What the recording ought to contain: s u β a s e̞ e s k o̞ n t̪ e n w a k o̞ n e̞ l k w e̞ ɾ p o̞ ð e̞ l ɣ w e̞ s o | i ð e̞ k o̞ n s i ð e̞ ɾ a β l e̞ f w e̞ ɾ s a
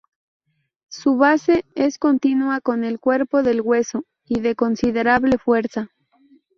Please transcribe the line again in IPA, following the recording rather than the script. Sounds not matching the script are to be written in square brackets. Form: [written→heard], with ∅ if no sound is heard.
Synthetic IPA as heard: s u β a s e̞ e s k o̞ n t̪ [e→i] n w a k o̞ n e̞ l k w e̞ ɾ p o̞ ð e̞ l ɣ w e̞ s o | i ð e̞ k o̞ n s i ð e̞ ɾ a β l e̞ f w e̞ ɾ s a

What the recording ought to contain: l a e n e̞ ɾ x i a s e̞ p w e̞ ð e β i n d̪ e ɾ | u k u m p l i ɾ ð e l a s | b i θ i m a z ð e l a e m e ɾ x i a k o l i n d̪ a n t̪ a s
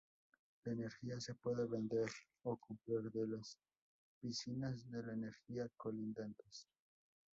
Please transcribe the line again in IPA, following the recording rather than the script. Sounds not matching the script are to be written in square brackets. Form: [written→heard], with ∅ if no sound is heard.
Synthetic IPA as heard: l a e n e̞ ɾ x i a s e̞ p w e̞ ð e β [i→e] n d̪ e ɾ | [u→o] k u m p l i ɾ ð e l a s | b i [θ→s] i [m→n] a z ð e l a e [m→n] e ɾ x i a k o l i n d̪ a n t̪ [a→e] s

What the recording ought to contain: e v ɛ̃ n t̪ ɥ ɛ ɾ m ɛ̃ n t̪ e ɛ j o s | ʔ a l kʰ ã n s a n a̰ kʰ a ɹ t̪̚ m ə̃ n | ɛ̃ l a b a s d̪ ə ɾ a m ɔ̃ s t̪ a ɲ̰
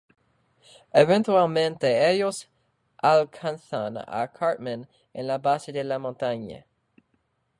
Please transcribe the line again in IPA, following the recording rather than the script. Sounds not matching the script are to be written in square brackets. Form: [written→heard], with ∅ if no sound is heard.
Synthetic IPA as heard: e v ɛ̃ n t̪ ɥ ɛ [ɾ→l] m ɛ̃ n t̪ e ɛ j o s | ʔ a l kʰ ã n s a n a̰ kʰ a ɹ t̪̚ m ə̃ n | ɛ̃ l a b a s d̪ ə [ɾ→l] a m ɔ̃ [s→∅] t̪ a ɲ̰

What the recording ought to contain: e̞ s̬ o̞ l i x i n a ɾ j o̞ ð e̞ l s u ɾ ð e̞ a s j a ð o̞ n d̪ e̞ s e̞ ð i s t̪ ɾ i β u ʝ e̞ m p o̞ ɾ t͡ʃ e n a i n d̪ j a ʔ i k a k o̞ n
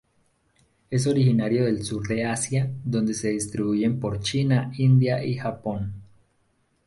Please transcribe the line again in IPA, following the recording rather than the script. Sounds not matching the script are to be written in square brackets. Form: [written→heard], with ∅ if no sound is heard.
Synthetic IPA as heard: e̞ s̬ o̞ [l→ɾ] i x i n a ɾ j o̞ ð e̞ l s u ɾ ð e̞ a s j a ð o̞ n d̪ e̞ s e̞ ð i s t̪ ɾ i β u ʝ e̞ m p o̞ ɾ t͡ʃ [e→i] n a i n d̪ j a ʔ i [k→x] a [k→p] o̞ n

